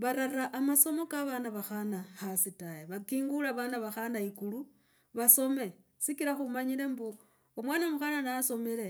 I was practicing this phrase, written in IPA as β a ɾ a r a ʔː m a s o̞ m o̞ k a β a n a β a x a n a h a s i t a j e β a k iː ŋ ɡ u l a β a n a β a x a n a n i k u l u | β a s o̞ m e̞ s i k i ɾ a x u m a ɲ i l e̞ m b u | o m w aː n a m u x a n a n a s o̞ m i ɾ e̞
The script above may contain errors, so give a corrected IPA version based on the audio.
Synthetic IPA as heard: β a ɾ a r a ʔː m a s o̞ m o̞ k a β a n a β a x a n a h a s i t a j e β a k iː ŋ ɡ u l a β a n a β a x a n a i k u l u | β a s o̞ m e̞ s i k i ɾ a x u m a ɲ i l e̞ m b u | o m w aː n a m u x a n a n a s o̞ m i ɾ e̞